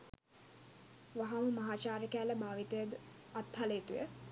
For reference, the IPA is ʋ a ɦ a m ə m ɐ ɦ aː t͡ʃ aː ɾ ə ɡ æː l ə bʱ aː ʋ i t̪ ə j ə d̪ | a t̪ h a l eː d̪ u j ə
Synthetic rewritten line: ʋ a ɦ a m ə m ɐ ɦ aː t͡ʃ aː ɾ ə k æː l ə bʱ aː ʋ i t̪ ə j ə d̪ | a t̪ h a l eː t̪ u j ə